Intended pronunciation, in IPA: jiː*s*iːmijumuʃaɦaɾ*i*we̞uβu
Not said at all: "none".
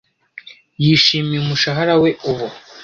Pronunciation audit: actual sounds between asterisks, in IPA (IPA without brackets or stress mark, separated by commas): ʃ, a